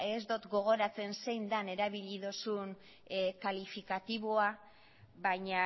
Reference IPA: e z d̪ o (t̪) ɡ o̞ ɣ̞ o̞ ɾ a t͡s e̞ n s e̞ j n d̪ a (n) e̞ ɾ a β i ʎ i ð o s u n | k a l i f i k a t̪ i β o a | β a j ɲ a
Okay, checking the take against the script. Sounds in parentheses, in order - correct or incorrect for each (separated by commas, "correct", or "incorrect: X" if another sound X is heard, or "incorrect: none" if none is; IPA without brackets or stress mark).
correct, correct